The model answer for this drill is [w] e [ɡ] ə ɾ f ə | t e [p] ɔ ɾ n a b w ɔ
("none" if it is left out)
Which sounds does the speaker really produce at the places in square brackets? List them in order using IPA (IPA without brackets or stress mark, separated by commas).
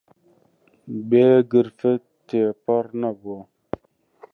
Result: b, ɡ, p